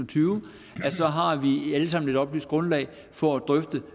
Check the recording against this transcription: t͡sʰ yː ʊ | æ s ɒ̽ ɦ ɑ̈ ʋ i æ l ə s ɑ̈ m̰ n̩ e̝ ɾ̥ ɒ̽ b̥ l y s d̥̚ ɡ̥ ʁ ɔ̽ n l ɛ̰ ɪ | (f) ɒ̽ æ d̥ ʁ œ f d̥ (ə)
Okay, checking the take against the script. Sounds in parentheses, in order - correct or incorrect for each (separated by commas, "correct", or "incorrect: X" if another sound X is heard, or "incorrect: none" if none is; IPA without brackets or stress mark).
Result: correct, correct